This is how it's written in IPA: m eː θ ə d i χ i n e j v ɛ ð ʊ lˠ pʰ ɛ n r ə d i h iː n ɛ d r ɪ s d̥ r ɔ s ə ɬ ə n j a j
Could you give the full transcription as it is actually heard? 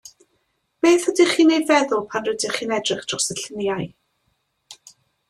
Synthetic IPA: m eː θ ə d i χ iː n e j v ɛ ð ʊ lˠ pʰ a n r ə d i χ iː n ɛ d r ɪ χ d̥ r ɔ s ə ɬ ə n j a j

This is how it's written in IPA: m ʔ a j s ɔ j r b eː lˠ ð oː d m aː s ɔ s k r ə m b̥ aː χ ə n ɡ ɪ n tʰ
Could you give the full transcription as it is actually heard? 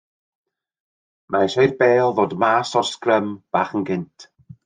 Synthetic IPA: m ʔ a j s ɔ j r b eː lˠ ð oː d m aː s ɔ s k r ə m b̥ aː χ ə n ɡ ɪ n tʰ

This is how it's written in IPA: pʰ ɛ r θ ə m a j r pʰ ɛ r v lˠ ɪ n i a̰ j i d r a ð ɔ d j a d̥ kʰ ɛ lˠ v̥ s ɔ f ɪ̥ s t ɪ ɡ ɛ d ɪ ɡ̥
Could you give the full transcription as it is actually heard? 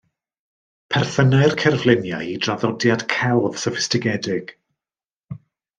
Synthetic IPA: pʰ ɛ r θ ə n a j r kʰ ɛ r v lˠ ɪ n j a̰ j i d r a ð ɔ d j a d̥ kʰ ɛ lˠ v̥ s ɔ f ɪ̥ s t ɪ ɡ ɛ d ɪ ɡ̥

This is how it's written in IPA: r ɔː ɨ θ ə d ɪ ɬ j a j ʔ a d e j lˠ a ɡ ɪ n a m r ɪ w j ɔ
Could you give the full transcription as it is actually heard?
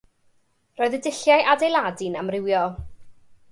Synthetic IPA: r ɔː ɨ ð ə d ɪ ɬ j a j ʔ a d e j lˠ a d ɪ n a m r ɪ w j ɔ

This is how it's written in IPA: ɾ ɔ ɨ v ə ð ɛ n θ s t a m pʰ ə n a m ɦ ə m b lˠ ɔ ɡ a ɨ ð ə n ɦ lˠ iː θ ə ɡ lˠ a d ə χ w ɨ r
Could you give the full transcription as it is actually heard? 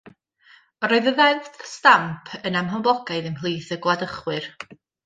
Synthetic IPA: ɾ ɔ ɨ ð ə ð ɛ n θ s t a m pʰ ə n a m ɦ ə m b lˠ ɔ ɡ a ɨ ð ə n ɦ lˠ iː θ ə ɡ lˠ a d ə χ w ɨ r

